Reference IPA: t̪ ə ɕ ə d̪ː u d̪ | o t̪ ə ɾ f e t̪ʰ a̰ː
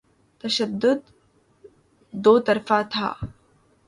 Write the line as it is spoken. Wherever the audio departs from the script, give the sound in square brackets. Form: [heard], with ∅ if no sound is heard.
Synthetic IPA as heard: t̪ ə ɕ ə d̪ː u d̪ | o t̪ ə ɾ f [a] t̪ʰ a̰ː

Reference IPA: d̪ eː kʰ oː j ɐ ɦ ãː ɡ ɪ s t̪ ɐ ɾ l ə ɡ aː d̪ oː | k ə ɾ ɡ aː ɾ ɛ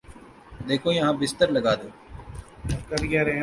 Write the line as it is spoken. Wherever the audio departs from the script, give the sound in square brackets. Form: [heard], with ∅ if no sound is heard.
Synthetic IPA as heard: d̪ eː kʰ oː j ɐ ɦ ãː [b] ɪ s t̪ [ə] ɾ l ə ɡ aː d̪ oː | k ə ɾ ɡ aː ɾ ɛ

